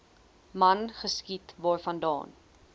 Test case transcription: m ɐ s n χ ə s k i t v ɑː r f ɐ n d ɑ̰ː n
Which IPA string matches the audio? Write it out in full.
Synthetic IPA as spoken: m ɐ n χ ə s k i t v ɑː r f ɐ n d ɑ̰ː n